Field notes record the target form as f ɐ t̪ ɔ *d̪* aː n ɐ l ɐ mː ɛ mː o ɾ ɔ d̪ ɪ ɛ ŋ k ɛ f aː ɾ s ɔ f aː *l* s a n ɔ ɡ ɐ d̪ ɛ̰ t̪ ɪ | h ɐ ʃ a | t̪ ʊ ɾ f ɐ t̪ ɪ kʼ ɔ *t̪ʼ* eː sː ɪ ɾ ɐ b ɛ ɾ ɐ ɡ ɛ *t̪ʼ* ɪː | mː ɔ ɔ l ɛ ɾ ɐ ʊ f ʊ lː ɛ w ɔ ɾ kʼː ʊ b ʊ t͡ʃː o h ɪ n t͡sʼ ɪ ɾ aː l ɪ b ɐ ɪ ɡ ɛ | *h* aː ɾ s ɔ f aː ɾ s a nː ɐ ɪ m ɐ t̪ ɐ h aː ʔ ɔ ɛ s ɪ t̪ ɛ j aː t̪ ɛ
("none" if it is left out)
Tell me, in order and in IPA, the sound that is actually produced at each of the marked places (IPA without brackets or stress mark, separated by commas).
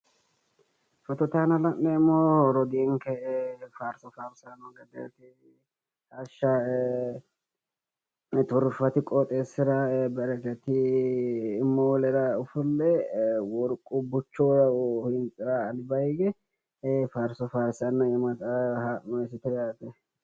t̪, ɾ, t̪ʼ, t̪, f